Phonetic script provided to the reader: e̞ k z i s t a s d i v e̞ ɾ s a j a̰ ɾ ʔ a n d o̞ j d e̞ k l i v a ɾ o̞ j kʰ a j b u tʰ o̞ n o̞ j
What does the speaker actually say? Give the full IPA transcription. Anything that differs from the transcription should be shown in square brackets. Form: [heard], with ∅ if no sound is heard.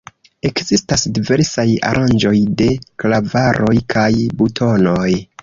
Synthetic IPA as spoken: e̞ k z i s t a s d i v e̞ ɾ s a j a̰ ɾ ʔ a n [d͡ʒ] o̞ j d e̞ k l [a] v a ɾ o̞ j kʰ a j b u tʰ o̞ n o̞ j